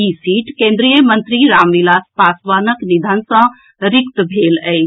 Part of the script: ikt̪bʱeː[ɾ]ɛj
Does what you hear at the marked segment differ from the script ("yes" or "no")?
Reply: yes